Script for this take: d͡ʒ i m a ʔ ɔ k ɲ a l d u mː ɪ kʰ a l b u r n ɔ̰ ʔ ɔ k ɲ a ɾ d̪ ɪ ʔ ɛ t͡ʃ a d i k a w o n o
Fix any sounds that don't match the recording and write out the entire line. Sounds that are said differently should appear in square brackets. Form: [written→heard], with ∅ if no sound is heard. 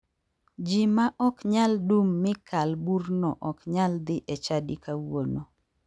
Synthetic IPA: d͡ʒ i m a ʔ ɔ k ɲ a l d u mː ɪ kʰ a l b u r n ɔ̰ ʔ ɔ k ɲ a [ɾ→l] d̪ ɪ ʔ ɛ t͡ʃ a d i k a w o n o